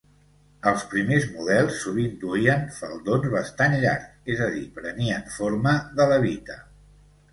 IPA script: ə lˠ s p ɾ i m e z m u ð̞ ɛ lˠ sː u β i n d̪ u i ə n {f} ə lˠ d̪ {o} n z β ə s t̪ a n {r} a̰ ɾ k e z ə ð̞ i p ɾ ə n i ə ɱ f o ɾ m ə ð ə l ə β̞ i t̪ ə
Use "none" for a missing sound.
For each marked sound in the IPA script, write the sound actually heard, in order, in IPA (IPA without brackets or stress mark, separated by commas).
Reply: f, o, ʎ